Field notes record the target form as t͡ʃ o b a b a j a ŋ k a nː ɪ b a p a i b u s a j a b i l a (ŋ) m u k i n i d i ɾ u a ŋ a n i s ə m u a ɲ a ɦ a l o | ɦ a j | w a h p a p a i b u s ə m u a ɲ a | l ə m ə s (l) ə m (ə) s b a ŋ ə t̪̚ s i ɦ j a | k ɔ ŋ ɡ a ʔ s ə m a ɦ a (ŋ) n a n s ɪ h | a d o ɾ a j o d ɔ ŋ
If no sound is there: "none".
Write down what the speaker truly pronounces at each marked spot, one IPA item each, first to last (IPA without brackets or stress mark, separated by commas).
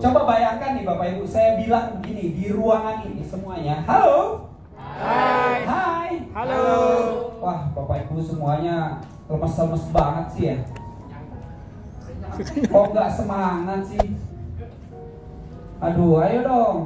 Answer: ŋ, l, ə, ŋ